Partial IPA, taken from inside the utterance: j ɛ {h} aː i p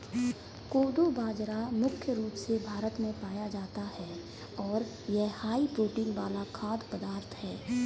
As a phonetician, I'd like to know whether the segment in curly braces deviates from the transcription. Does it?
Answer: no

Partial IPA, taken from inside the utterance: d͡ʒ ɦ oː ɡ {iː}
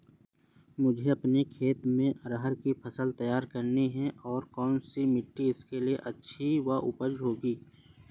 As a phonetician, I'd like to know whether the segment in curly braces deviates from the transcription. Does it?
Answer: no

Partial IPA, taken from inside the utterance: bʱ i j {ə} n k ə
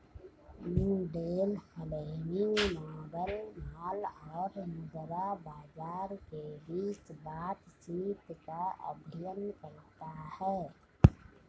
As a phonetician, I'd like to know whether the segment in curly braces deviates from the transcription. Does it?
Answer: no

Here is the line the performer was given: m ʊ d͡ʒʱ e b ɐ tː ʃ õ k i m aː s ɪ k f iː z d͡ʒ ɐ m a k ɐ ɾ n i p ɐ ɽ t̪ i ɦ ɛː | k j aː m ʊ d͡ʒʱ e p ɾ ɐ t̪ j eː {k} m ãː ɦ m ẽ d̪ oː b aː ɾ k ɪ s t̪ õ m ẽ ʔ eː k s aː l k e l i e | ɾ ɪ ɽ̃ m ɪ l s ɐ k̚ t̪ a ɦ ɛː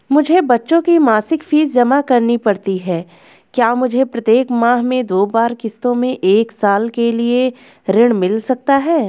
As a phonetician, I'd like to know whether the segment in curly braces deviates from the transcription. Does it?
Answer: no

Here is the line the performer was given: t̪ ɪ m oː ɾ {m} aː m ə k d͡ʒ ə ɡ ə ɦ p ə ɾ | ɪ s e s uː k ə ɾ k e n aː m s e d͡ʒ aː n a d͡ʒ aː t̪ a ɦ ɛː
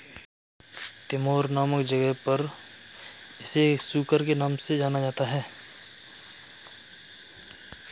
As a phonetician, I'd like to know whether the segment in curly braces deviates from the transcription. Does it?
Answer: yes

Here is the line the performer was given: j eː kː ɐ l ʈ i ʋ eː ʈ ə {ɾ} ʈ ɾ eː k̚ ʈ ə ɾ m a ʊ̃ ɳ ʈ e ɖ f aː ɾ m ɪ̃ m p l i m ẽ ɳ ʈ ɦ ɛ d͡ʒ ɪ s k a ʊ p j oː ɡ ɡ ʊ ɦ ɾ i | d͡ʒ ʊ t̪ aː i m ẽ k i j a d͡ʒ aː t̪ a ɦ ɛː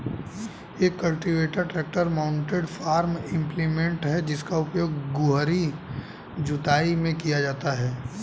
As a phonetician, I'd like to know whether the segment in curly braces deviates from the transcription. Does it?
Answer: no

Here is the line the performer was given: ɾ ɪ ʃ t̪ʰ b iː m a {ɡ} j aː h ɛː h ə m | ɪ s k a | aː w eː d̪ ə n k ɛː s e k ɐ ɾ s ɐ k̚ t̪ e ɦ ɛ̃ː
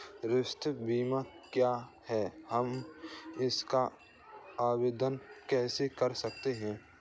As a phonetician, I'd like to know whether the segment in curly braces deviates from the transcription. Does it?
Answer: yes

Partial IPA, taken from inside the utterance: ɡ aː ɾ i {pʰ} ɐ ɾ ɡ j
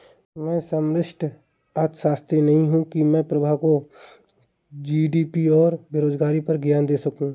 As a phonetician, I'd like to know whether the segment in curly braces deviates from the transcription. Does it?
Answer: yes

